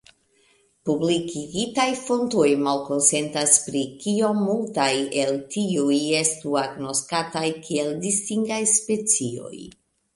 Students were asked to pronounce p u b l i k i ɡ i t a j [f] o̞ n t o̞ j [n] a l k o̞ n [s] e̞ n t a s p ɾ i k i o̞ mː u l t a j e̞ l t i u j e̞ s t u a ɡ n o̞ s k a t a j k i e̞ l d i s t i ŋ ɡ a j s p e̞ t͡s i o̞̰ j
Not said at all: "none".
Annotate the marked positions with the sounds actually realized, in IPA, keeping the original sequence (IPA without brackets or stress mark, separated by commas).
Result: f, m, s